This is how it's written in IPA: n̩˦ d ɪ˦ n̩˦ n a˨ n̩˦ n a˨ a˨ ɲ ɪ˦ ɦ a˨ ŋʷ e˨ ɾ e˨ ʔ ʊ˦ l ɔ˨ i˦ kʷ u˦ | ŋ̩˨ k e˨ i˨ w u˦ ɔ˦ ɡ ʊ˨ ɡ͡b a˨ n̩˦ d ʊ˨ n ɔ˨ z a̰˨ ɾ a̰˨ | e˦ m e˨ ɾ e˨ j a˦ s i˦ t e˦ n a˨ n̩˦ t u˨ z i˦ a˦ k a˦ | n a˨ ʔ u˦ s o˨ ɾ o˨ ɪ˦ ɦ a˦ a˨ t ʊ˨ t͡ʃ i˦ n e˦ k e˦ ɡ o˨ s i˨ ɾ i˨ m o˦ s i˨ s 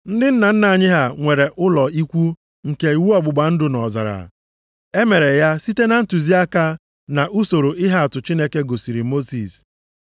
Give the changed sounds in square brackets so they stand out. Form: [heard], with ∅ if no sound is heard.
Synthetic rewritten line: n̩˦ d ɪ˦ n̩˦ n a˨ n̩˦ n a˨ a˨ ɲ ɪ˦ ɦ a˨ ŋʷ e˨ ɾ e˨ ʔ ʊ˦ l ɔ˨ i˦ kʷ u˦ | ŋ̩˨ k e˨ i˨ w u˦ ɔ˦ [ɡ͡b] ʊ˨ ɡ͡b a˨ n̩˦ d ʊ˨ n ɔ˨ z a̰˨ ɾ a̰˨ | e˦ m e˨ ɾ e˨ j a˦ s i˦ t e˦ n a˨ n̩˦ t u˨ z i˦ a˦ k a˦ | n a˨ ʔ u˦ s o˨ ɾ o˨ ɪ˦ ɦ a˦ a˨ t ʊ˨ t͡ʃ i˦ n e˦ k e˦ ɡ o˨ s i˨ ɾ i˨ m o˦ s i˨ s